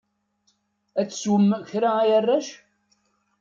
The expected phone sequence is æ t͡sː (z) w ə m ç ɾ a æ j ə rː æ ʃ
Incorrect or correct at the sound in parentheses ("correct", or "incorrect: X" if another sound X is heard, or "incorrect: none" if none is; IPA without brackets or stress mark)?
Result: incorrect: s